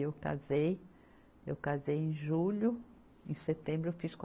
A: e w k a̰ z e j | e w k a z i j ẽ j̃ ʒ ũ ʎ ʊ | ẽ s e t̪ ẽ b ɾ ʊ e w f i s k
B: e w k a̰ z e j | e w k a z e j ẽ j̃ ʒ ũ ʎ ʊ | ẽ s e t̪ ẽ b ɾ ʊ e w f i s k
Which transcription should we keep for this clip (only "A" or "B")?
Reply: B